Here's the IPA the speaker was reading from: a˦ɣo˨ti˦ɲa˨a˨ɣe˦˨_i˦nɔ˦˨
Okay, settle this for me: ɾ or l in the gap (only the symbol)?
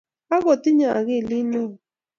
l